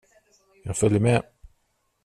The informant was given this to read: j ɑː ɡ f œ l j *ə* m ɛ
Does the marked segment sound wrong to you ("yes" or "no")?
no